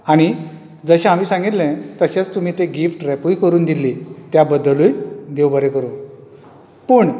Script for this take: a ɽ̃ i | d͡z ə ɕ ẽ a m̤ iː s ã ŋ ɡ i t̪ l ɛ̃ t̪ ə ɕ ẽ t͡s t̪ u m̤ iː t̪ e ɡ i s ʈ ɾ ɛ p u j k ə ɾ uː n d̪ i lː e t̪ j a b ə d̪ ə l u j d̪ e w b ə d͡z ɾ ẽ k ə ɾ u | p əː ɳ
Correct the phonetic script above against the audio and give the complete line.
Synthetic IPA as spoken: a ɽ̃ i | d͡z ə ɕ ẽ a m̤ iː s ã ŋ ɡ i t̪ l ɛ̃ t̪ ə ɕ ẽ t͡s t̪ u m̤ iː t̪ e ɡ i f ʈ ɾ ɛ p u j k ə ɾ uː n d̪ i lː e t̪ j a b ə d̪ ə l u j d̪ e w b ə ɾ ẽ k ə ɾ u | p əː ɳ